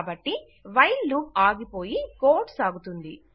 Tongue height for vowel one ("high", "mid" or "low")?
low